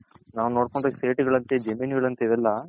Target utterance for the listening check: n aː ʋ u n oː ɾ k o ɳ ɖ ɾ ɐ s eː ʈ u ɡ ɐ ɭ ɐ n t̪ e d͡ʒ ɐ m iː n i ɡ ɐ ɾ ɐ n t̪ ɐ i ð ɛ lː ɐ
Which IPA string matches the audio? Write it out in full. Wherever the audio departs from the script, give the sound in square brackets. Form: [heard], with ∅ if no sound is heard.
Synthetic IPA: n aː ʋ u n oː [ɽ] k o ɳ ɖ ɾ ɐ s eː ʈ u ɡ ɐ ɭ ɐ n t̪ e d͡ʒ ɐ m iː n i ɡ ɐ [ɭ] ɐ n t̪ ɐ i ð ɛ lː ɐ